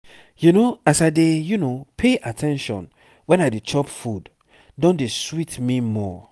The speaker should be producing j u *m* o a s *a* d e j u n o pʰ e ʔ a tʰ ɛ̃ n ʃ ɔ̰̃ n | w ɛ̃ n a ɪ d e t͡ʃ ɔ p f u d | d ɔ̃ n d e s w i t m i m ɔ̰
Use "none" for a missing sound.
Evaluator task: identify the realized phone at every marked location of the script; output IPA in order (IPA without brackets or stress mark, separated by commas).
n, a